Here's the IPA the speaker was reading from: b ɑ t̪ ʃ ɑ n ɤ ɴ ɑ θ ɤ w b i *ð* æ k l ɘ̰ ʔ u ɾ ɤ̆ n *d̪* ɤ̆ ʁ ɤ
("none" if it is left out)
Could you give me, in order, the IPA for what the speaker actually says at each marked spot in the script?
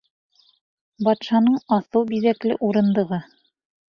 ð, d̪

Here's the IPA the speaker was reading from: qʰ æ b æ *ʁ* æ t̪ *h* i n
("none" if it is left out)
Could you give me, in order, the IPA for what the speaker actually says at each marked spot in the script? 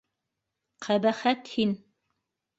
χ, h

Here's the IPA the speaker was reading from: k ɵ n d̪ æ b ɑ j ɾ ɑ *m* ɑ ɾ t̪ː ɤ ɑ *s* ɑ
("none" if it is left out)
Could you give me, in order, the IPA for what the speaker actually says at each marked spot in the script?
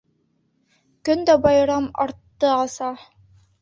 m, s

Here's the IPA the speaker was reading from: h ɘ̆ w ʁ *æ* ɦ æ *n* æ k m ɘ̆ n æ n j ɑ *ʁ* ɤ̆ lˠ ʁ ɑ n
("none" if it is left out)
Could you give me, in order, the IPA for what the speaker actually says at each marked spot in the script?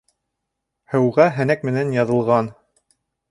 æ, n, ð

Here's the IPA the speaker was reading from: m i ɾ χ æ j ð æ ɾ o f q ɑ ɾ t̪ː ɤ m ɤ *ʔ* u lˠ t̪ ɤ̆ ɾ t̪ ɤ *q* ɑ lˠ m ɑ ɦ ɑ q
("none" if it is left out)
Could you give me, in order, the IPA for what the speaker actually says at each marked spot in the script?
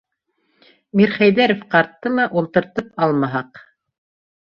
ʔ, p

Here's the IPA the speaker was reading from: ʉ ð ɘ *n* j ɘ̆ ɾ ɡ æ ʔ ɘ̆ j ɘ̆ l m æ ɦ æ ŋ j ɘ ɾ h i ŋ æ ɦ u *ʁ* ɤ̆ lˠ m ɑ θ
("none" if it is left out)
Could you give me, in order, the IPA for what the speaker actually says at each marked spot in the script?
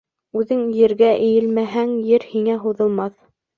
ŋ, ð

